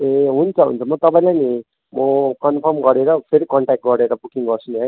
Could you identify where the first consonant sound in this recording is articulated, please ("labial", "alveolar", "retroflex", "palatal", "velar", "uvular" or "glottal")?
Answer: glottal